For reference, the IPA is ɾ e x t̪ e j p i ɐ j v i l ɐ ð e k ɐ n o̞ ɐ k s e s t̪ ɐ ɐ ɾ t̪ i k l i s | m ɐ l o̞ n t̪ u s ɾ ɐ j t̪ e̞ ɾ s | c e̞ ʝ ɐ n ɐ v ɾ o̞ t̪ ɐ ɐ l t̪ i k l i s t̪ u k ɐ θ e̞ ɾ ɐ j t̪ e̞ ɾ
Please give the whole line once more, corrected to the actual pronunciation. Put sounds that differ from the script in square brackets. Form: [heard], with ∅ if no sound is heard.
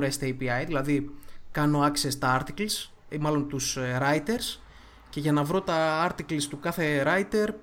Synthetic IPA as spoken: ɾ e [s] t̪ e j p i ɐ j [ð] i l ɐ ð [i] k ɐ n o̞ ɐ k s e s t̪ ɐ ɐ ɾ t̪ i k l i s | m ɐ l o̞ n t̪ u s ɾ ɐ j t̪ e̞ ɾ s | c e̞ ʝ ɐ n ɐ v ɾ o̞ t̪ ɐ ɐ [ɾ] t̪ i k l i s t̪ u k ɐ θ e̞ ɾ ɐ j t̪ e̞ ɾ